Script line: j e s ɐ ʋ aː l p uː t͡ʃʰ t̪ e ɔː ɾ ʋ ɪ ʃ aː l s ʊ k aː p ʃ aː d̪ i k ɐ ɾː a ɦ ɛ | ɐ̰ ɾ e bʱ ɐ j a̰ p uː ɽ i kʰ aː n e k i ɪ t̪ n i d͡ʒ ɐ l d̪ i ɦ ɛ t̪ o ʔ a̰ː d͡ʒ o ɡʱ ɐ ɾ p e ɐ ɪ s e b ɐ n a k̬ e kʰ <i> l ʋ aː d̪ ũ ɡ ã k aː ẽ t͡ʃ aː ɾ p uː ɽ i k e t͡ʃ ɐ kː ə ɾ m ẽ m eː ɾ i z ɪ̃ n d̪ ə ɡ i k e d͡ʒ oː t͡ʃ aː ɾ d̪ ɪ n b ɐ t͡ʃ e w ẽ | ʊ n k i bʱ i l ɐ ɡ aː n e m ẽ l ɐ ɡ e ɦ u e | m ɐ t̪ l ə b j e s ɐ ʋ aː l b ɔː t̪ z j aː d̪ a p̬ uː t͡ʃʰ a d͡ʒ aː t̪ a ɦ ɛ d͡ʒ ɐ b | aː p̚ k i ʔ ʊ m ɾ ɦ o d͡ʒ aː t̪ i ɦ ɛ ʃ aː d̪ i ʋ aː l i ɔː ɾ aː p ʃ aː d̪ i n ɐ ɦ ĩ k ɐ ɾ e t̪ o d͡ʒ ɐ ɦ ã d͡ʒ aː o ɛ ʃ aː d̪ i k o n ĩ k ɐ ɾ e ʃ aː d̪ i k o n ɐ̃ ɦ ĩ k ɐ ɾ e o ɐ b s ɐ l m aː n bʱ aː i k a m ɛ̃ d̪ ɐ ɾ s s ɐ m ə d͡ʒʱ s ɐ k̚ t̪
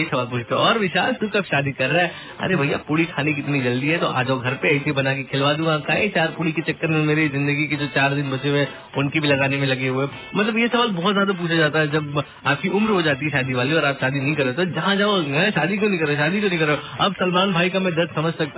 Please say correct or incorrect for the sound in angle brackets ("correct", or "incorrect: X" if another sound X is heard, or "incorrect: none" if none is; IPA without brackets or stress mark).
incorrect: ɪ